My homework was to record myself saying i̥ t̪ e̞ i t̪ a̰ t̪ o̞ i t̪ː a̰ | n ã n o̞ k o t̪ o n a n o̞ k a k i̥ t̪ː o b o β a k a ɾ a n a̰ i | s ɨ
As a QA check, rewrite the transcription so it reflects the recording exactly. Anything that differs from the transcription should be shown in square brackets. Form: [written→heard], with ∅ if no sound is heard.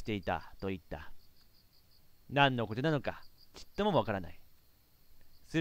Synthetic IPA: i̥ t̪ e̞ i t̪ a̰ t̪ o̞ i t̪ː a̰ | n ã [n→nː] o̞ k o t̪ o n a n o̞ k a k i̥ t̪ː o [b→m] o β a k a ɾ a n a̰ i | s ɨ